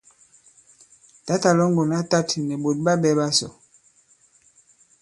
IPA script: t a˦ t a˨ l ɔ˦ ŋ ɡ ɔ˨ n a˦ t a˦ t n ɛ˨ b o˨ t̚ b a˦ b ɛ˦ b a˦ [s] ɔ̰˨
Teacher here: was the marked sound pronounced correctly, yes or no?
yes